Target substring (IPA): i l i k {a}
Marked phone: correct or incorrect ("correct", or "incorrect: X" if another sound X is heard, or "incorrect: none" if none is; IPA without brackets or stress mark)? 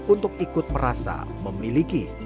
incorrect: i